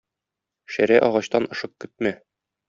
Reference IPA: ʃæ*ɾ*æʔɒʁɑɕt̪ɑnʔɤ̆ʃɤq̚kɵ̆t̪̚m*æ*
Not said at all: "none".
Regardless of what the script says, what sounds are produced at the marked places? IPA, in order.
ɾ, æ

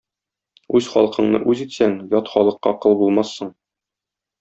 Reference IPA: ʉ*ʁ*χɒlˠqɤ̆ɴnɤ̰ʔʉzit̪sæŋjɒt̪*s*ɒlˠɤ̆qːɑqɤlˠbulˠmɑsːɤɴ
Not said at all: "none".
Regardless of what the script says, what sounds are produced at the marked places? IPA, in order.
z, χ

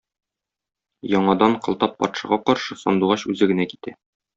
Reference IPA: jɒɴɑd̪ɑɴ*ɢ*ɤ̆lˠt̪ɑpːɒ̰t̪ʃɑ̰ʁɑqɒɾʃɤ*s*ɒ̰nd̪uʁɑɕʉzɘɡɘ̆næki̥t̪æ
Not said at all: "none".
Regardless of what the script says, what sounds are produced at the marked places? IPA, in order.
q, s

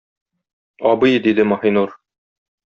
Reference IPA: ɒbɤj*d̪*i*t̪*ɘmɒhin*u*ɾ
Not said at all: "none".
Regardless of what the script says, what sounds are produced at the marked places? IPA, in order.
d̪, d̪, u

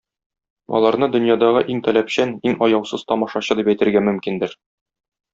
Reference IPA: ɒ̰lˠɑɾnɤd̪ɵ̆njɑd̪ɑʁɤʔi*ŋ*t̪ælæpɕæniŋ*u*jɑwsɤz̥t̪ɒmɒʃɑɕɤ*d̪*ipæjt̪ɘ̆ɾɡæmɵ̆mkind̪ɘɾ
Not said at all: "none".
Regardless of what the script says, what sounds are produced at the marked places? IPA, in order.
ŋ, ɒ, d̪

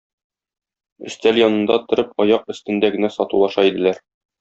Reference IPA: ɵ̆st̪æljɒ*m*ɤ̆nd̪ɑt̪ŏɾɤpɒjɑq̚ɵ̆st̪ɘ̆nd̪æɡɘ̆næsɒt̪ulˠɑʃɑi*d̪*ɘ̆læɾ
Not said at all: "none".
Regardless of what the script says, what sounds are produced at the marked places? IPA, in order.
n, d̪

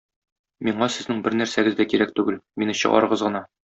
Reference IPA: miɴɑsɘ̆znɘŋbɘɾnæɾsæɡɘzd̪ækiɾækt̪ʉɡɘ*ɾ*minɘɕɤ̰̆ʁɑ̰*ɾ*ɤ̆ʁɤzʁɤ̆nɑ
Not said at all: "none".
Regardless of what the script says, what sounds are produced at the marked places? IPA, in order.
l, ɾ

